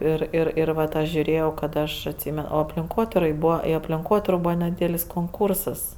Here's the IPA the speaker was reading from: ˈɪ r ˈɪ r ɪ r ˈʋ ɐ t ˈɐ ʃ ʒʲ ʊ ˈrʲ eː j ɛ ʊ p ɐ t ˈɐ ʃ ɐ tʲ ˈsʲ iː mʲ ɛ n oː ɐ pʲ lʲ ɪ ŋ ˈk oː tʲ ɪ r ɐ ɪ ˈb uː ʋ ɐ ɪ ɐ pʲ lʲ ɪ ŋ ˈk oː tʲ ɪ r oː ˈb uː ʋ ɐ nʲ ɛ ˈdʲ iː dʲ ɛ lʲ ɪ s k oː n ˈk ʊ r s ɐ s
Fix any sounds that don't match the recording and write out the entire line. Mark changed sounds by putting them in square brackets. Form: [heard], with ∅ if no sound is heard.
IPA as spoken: ˈɪ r ˈɪ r ɪ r ˈʋ ɐ t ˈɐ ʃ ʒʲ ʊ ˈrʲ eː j ɛ ʊ [k] ɐ t ˈɐ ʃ ɐ tʲ ˈsʲ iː mʲ ɛ n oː ɐ pʲ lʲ ɪ ŋ ˈk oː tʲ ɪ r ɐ ɪ ˈb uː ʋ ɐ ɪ ɐ pʲ lʲ ɪ ŋ ˈk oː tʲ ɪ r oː ˈb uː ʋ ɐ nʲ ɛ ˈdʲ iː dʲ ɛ lʲ ɪ s k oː [ŋ] ˈk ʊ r s ɐ s